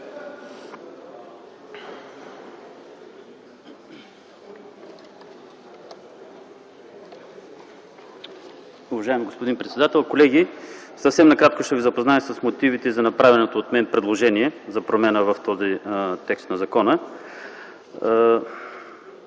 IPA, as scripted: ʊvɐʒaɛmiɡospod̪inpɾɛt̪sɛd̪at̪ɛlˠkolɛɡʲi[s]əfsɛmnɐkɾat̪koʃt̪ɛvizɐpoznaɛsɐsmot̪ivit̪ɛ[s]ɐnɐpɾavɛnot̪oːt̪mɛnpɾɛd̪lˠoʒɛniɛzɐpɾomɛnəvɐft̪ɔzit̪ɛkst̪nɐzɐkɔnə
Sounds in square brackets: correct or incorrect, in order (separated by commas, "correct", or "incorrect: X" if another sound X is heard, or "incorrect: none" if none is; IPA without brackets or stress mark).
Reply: correct, incorrect: z